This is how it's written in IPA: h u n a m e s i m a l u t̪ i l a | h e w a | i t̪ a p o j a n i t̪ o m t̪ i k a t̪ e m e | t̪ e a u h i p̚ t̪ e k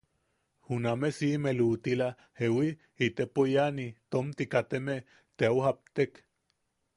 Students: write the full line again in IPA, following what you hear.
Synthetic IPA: h u n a m e s i m e l u t̪ i l a | h e w i | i t̪ e p o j a n i t̪ o m t̪ i k a t̪ e m e | t̪ e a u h a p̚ t̪ e k